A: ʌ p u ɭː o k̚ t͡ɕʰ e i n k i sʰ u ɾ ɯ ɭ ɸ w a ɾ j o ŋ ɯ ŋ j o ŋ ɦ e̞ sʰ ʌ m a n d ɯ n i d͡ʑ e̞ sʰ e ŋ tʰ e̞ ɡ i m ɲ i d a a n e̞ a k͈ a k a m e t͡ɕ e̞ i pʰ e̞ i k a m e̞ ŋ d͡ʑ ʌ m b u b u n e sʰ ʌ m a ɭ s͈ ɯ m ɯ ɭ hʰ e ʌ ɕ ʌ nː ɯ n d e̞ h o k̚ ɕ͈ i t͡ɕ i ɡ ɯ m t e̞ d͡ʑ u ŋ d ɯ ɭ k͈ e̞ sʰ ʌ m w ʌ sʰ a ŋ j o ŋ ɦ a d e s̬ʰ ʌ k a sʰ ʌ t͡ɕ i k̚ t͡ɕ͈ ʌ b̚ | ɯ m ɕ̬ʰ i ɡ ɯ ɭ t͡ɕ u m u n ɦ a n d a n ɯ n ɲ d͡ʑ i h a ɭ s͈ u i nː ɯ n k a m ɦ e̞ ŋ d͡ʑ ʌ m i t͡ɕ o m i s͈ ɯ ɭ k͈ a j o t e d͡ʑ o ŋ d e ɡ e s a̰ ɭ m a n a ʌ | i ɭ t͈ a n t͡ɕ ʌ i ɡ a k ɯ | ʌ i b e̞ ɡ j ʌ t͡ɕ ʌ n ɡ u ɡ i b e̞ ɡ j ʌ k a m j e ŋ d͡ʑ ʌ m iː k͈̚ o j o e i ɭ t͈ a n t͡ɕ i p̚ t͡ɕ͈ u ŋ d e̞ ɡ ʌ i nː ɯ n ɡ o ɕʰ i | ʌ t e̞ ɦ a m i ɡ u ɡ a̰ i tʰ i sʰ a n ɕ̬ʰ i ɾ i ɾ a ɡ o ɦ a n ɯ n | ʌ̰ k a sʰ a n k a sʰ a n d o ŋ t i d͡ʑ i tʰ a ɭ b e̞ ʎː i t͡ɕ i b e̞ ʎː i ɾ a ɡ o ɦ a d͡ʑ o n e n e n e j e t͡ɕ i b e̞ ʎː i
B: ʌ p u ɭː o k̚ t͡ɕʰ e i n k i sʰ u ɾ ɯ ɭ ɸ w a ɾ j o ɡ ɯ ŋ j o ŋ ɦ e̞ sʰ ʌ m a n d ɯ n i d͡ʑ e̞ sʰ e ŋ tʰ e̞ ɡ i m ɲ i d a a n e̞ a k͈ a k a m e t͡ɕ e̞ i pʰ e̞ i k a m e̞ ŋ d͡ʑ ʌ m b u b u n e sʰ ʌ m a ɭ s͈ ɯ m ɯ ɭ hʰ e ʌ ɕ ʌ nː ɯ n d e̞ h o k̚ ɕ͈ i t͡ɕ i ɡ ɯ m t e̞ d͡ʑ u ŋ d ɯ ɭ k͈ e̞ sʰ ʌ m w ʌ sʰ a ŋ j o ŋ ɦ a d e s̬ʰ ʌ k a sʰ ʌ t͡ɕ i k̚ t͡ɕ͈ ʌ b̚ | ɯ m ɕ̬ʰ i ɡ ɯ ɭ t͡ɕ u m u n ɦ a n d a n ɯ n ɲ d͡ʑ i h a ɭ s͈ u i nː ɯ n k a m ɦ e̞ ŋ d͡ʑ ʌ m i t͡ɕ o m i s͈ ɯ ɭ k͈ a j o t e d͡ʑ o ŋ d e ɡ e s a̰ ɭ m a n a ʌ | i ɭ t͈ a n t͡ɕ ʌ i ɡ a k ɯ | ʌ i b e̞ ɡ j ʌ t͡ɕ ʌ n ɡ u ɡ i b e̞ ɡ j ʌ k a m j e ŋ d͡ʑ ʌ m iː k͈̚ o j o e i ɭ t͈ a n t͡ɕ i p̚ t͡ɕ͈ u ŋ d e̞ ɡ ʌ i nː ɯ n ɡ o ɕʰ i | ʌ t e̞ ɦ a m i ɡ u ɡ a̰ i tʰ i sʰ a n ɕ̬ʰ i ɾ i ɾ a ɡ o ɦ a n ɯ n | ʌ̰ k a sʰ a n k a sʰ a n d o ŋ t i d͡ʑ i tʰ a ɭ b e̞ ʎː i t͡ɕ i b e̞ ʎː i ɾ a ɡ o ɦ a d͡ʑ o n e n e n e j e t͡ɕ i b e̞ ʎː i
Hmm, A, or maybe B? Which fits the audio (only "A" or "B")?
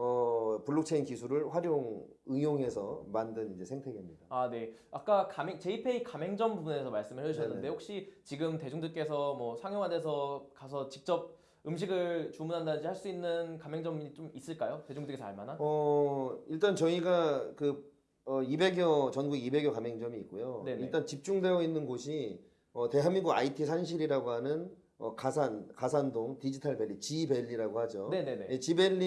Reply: A